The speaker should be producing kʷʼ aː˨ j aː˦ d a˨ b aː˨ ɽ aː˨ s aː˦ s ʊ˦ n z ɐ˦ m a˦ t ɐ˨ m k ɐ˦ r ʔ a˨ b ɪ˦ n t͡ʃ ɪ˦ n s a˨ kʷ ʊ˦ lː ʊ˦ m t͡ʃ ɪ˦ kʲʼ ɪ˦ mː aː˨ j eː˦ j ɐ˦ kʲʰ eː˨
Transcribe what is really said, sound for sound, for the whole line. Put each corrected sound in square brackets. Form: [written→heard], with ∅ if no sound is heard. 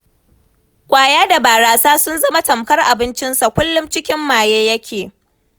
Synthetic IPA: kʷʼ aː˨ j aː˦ d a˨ b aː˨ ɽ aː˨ s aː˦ s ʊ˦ n z ɐ˦ m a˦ t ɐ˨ m k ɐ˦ r ʔ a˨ b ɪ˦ n t͡ʃ ɪ˦ n s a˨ kʷ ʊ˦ lː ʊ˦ m t͡ʃ ɪ˦ [kʲʼ→kʲ] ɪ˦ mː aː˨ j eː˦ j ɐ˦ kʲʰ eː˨